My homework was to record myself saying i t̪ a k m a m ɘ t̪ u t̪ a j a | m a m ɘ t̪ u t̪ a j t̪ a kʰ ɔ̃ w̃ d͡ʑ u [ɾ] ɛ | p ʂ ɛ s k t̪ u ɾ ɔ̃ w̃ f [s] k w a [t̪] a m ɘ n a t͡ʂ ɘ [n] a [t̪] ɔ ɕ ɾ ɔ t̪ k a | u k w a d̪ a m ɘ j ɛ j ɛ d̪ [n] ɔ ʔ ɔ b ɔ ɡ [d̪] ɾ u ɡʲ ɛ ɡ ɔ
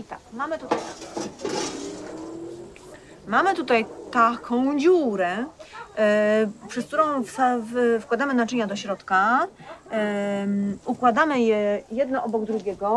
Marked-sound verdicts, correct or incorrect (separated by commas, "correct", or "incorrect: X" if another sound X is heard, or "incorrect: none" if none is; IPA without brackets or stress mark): correct, incorrect: f, incorrect: d̪, incorrect: ɲ, incorrect: d̪, correct, correct